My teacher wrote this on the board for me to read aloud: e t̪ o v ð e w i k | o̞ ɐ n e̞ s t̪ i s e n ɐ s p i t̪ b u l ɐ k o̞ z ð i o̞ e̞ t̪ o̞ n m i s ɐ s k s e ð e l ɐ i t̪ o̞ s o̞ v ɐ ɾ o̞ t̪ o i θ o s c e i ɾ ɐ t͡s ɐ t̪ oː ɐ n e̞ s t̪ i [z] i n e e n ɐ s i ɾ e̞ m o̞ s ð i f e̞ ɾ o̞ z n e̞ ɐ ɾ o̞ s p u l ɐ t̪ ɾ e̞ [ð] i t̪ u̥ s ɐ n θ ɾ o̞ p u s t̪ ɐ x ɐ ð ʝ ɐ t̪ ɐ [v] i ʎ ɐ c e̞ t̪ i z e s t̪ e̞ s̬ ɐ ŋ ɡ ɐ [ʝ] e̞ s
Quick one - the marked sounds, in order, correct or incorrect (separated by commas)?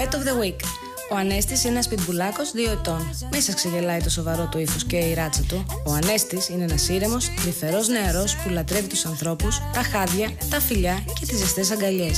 incorrect, incorrect, incorrect, incorrect